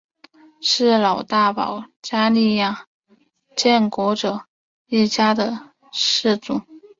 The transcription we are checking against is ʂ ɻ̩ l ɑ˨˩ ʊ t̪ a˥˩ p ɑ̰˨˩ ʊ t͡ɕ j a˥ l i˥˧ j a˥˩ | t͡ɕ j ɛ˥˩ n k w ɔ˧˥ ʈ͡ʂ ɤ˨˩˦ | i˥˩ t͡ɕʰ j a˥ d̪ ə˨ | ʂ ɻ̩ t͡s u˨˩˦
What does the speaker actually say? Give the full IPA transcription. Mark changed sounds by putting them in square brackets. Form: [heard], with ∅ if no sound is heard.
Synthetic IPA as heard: ʂ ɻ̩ l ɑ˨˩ ʊ t̪ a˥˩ p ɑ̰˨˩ ʊ t͡ɕ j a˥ l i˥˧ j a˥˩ | t͡ɕ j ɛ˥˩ n k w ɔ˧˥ ʈ͡ʂ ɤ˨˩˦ | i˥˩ [t͡ɕ] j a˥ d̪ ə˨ | ʂ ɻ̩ t͡s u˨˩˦